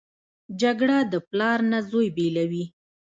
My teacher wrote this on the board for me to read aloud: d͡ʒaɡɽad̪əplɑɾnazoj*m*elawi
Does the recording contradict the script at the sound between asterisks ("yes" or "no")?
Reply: yes